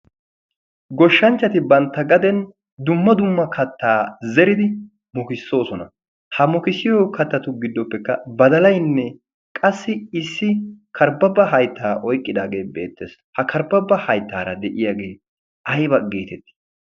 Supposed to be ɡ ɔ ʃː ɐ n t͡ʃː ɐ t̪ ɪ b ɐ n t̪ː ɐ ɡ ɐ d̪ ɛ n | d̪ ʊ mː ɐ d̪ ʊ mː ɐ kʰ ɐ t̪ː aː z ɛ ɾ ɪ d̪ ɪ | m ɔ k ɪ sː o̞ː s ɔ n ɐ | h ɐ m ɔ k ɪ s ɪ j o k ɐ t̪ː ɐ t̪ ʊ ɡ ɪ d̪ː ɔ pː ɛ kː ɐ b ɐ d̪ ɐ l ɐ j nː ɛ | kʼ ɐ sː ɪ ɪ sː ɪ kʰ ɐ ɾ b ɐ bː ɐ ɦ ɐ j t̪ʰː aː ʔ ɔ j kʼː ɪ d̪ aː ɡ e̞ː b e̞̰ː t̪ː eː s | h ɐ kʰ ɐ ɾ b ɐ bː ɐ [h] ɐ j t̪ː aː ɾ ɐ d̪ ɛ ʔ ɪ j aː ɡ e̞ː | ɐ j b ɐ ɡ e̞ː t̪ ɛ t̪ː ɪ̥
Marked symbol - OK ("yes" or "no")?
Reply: yes